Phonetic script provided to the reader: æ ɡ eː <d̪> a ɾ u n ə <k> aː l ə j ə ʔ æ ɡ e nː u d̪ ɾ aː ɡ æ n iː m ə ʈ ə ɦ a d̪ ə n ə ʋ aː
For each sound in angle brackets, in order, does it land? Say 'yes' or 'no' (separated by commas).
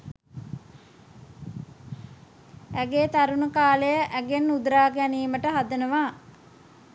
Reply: no, yes